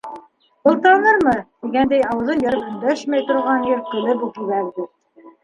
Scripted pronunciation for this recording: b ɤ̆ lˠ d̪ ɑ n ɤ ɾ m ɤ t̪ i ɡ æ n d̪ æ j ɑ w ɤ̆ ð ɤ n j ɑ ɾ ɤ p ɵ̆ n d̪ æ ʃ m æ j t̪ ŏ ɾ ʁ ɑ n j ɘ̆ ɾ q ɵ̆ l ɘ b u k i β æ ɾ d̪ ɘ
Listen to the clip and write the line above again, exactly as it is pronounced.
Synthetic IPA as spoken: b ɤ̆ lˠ t̪ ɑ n ɤ ɾ m ɤ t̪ i ɡ æ n d̪ æ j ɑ w ɤ̆ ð ɤ n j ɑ ɾ ɤ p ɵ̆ n d̪ æ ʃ m æ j t̪ ŏ ɾ ʁ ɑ n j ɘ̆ ɾ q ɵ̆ l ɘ b u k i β æ ɾ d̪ ɘ